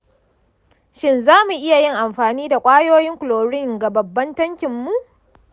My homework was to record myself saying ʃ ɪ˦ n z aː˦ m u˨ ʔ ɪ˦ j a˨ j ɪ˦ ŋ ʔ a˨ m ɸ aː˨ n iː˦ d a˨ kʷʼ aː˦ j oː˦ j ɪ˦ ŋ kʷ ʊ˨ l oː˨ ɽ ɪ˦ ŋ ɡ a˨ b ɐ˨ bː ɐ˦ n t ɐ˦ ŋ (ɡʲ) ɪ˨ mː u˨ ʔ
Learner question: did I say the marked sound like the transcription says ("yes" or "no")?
no